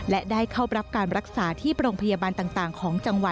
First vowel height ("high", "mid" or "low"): mid